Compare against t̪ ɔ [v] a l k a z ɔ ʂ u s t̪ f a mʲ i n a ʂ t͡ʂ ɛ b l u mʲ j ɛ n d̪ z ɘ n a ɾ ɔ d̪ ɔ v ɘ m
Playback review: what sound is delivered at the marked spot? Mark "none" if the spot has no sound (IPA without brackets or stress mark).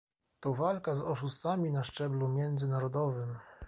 v